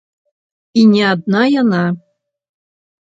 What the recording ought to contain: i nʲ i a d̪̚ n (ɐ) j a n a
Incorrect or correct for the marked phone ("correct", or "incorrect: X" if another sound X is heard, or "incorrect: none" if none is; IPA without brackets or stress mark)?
incorrect: a